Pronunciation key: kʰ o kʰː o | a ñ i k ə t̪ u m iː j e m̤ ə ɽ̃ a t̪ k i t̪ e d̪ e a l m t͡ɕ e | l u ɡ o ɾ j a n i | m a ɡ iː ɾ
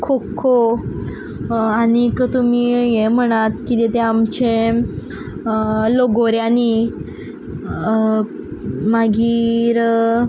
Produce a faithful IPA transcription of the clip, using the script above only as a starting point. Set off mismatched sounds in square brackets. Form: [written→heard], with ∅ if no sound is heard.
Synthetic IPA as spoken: kʰ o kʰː o | a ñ i k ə t̪ u m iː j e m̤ ə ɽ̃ a t̪ k i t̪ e [d̪→t̪] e a [l→∅] m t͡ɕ e | l [u→o] ɡ o ɾ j a n i | m a ɡ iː ɾ